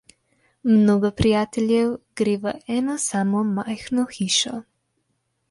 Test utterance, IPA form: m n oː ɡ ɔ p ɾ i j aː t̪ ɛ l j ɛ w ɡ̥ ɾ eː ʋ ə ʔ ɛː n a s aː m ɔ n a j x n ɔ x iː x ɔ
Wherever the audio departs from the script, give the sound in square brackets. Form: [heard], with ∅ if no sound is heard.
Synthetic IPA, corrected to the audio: m n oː ɡ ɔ p ɾ i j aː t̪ ɛ l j ɛ w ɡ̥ ɾ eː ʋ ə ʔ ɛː n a s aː m ɔ [m] a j x n ɔ x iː [ʃ] ɔ

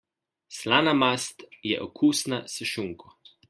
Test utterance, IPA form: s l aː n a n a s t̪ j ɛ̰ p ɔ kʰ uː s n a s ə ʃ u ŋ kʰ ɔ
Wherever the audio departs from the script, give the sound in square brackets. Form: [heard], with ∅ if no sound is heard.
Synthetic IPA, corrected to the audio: s l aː n a [m] a s t̪ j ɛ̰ [ʔ] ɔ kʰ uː s n a s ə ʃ u ŋ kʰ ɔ

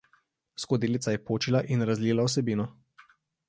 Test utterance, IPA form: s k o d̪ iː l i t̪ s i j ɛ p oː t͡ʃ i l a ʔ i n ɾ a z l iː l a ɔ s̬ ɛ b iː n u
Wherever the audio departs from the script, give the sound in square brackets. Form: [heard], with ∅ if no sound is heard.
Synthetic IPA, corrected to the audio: s k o d̪ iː l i t̪ s [a] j ɛ p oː t͡ʃ i l a ʔ i n ɾ a z l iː l a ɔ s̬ ɛ b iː n [ɔ]

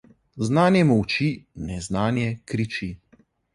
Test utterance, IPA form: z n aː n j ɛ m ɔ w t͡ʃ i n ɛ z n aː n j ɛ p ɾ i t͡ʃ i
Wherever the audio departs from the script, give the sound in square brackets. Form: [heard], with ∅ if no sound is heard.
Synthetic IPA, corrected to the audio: z n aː n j ɛ m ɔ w t͡ʃ i n ɛ z n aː n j ɛ [k] ɾ i t͡ʃ i

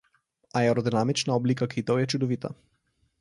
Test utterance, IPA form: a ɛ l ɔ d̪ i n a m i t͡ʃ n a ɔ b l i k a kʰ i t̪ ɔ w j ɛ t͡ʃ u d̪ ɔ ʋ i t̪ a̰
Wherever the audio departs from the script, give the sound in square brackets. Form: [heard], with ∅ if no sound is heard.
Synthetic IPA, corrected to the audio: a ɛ [ɾ] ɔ d̪ i n a m i t͡ʃ n a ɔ b l i k a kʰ i t̪ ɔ w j ɛ t͡ʃ u d̪ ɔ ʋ i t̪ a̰

